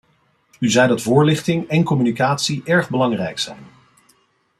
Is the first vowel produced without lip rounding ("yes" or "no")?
no